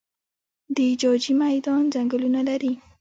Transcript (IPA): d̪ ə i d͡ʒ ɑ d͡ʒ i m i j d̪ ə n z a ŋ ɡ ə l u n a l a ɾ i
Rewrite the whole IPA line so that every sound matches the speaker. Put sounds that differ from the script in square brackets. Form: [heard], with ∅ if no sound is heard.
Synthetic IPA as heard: d̪ ə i d͡ʒ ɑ d͡ʒ i m [a] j d̪ [ɑ] n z a ŋ ɡ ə l u n a l a ɾ i